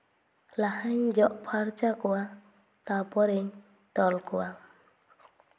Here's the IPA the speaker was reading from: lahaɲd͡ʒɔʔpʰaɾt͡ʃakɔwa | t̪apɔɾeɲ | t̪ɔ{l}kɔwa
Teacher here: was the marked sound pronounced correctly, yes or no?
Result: yes